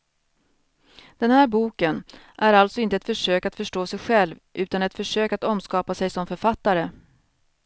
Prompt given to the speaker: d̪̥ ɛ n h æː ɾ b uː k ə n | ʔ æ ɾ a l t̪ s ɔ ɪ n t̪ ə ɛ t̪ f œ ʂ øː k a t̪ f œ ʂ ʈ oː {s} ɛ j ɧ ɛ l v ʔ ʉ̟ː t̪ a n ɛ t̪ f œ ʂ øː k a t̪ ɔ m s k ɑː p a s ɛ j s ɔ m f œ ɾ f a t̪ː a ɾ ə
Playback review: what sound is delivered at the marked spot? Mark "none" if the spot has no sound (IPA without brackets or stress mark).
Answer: s